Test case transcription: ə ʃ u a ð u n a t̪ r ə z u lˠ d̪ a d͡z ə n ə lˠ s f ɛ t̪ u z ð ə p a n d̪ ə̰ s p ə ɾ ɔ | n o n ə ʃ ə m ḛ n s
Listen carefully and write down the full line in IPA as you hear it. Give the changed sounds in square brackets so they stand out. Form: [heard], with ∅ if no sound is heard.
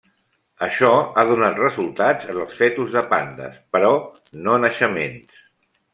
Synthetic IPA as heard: ə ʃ [ɔ] a ð u n a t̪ r ə z u lˠ [t̪] a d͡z ə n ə lˠ s f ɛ t̪ u z ð ə p a n d̪ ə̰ s p ə ɾ ɔ | n o n ə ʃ ə m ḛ n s